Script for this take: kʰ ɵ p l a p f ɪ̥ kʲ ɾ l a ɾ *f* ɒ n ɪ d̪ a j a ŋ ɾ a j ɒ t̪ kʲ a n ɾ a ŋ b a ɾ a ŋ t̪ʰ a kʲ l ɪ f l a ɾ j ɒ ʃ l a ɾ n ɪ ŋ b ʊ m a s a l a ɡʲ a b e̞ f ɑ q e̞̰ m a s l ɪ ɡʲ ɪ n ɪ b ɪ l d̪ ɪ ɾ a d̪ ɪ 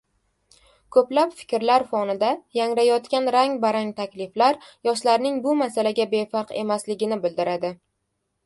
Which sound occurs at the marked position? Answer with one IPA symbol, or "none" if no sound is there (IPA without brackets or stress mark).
f